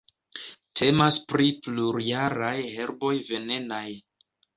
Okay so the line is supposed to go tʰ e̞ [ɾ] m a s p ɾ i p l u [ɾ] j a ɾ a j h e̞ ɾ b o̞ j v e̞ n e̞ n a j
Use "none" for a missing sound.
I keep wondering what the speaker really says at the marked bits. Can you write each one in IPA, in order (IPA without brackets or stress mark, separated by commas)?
none, ɾ